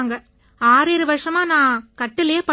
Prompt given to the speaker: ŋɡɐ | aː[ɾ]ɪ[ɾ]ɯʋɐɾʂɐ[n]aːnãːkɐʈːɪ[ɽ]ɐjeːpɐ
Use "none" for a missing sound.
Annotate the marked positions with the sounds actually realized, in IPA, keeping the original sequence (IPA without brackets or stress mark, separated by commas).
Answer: ɾ, ɾ, m, l